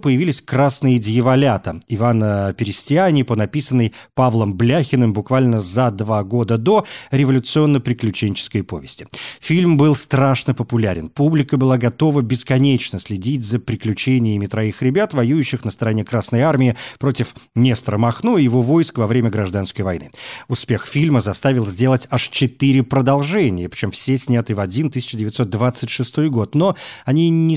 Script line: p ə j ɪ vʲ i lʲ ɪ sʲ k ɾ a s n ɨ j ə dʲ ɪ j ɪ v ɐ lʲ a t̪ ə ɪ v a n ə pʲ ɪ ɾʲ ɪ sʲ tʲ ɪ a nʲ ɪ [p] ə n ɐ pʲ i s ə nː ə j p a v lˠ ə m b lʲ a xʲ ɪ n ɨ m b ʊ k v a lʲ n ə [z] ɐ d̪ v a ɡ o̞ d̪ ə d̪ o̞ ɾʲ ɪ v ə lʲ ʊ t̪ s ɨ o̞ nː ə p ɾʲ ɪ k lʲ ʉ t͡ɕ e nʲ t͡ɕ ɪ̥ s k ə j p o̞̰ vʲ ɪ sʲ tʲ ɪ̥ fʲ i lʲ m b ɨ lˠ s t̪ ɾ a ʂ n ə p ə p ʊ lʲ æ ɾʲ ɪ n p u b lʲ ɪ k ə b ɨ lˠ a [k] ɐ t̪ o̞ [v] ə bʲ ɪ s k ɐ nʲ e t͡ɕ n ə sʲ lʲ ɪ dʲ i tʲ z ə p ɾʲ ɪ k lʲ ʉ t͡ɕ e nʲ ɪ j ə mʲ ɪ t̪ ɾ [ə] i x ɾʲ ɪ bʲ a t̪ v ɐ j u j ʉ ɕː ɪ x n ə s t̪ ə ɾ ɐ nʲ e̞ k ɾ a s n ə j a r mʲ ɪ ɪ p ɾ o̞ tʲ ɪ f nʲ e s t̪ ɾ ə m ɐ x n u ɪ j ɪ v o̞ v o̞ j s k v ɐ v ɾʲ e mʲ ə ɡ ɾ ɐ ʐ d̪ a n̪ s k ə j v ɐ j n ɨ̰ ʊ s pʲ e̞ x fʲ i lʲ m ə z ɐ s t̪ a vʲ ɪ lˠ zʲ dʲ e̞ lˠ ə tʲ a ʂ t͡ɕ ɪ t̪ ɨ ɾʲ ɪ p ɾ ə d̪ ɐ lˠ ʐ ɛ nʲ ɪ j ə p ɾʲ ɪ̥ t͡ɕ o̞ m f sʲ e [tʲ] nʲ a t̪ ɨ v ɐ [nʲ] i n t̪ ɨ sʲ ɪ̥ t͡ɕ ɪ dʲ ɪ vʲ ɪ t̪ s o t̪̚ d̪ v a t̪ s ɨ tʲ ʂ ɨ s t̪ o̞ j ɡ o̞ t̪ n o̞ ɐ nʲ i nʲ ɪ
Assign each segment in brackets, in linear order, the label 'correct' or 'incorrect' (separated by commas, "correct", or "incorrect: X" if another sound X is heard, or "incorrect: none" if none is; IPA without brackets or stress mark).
correct, correct, incorrect: ɡ, correct, incorrect: ɐ, incorrect: sʲ, incorrect: dʲ